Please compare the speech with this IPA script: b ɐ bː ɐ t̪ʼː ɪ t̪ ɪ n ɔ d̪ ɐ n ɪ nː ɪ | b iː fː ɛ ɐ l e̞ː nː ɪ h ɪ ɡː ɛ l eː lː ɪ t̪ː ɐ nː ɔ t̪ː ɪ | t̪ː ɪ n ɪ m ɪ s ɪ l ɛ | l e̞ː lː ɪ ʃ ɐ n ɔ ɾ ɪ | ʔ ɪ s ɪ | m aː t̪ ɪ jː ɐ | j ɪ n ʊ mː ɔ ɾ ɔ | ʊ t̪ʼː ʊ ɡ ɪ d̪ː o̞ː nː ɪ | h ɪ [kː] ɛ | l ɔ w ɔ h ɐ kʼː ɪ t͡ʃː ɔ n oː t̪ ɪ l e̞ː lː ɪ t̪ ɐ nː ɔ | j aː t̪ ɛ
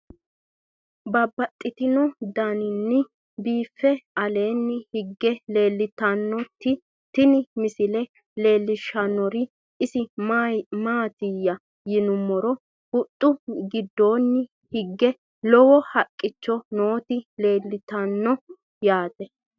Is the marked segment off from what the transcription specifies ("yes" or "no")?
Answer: yes